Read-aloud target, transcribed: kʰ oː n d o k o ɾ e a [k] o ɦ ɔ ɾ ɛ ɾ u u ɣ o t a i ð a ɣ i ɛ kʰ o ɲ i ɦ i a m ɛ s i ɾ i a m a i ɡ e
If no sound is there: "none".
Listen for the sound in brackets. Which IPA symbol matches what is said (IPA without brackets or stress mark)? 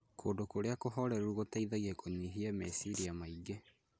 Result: k